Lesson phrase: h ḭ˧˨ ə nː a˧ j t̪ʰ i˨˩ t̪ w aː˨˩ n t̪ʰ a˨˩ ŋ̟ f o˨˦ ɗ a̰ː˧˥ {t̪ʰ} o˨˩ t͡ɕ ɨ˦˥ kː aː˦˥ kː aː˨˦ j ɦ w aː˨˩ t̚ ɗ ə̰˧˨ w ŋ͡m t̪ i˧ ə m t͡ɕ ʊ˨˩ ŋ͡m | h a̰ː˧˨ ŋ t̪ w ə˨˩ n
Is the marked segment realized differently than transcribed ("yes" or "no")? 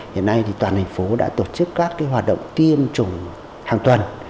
yes